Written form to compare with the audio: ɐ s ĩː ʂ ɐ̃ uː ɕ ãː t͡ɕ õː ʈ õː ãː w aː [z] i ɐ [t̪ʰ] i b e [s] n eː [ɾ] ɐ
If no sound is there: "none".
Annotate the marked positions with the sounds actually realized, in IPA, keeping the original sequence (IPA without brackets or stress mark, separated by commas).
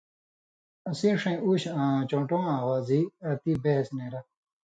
z, t̪, s, ɾ